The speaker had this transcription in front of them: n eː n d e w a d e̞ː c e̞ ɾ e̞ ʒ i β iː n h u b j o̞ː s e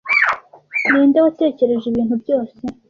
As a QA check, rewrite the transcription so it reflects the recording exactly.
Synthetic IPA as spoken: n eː n d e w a t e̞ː c e̞ ɾ e̞ ʒ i β iː n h u b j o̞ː s e